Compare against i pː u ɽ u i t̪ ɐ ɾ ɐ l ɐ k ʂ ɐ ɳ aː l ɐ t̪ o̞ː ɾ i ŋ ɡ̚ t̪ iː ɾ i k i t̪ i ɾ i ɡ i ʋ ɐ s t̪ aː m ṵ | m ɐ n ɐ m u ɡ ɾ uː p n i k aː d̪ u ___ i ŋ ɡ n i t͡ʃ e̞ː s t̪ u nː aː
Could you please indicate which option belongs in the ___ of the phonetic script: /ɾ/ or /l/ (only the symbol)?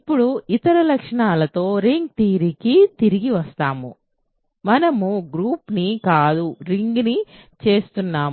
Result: ɾ